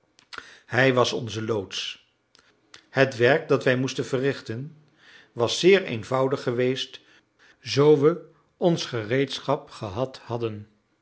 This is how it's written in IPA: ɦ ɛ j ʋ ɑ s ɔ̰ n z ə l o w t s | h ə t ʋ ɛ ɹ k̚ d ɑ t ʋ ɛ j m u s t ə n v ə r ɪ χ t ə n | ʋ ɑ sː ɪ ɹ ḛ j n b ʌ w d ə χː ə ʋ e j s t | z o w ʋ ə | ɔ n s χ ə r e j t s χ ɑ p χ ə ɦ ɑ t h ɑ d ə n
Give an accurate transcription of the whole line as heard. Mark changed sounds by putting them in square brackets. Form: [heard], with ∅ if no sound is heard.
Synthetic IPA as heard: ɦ ɛ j ʋ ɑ s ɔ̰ n z ə l o w t s | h ə t ʋ ɛ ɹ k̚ d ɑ t ʋ ɛ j m u s t ə n v ə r ɪ χ t ə n | ʋ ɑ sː [ɪː] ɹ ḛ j n [v] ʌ w d ə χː ə ʋ e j s t | z o w ʋ ə | ɔ n s χ ə r e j t s χ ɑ p χ ə ɦ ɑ t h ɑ d ə n

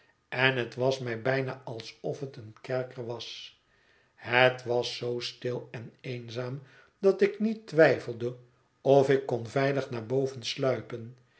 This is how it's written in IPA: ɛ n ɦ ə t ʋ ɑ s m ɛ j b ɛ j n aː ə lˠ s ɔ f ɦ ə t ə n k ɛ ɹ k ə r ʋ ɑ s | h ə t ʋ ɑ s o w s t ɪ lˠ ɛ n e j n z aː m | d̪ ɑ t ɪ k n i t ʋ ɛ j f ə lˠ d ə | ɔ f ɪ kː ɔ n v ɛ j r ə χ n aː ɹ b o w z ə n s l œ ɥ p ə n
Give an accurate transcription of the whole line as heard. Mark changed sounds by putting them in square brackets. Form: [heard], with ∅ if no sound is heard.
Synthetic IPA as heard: ɛ n ɦ ə t ʋ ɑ s m ɛ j b ɛ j n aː [ɑ] lˠ s ɔ f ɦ ə t ə n k ɛ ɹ k ə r ʋ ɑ s | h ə t ʋ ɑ s o w s t ɪ lˠ ɛ n e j n z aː m | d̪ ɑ t ɪ k n i t ʋ ɛ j f ə lˠ d ə | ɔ f ɪ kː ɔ n v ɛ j [l] ə χ n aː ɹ b o w [v] ə n s l œ ɥ p ə n

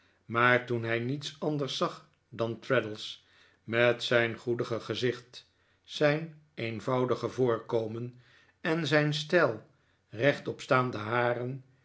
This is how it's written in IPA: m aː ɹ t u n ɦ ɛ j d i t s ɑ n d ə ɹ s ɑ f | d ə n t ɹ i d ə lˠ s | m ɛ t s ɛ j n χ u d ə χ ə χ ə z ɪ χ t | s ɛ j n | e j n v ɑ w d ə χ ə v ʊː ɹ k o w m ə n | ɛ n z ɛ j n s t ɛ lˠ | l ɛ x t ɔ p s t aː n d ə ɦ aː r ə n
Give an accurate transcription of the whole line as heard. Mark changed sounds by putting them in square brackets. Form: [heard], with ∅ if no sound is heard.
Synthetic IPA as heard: m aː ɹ t u n ɦ ɛ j [n] i t s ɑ n d ə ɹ s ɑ [χ] | d [ɑ] n t ɹ [ɛ] d ə lˠ s | m ɛ t s ɛ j n χ u d ə χ ə χ ə z ɪ χ t | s ɛ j n | e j n v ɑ w d ə χ ə v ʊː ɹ k o w m ə n | ɛ n z ɛ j n s t ɛ lˠ | [r] ɛ [χ] t ɔ p s t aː n d ə ɦ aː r ə n

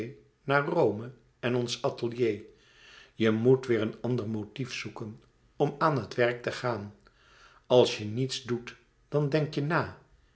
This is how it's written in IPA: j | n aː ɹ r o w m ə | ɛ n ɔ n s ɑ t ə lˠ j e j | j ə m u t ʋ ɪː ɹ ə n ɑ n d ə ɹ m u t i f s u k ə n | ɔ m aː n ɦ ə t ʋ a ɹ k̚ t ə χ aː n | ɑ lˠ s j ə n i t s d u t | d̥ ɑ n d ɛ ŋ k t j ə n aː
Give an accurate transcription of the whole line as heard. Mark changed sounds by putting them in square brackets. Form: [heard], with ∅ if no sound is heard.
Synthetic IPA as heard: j | n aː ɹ r o w m ə | ɛ n ɔ n s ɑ t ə lˠ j e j | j ə m u t ʋ ɪː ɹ ə n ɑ n d ə ɹ m [o] t i f s u k ə n | ɔ m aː n ɦ ə t ʋ [ɛ] ɹ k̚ t ə χ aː n | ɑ lˠ s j ə n i t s d u t | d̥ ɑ n d ɛ ŋ k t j ə n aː

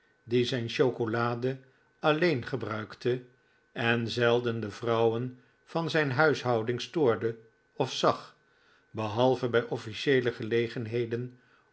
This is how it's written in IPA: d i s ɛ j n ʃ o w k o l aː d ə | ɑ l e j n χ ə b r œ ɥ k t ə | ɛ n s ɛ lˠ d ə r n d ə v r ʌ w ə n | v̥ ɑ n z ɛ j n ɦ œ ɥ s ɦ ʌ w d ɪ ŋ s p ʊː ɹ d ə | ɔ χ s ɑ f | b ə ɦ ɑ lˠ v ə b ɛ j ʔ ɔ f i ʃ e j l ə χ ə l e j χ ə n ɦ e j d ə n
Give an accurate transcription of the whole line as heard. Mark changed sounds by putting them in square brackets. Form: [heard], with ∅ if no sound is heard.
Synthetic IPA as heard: d i [z] ɛ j n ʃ o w k o l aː d ə | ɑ l e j n χ ə b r œ ɥ k t ə | ɛ n [z] ɛ lˠ d ə [∅] n d ə v r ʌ w ə n | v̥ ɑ n z ɛ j n ɦ œ ɥ s ɦ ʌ w d ɪ ŋ s [t] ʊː ɹ d ə | ɔ [f] s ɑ [χ] | b ə ɦ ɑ lˠ v ə b ɛ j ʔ ɔ f i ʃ e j l ə χ ə l e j χ ə n ɦ e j d ə n

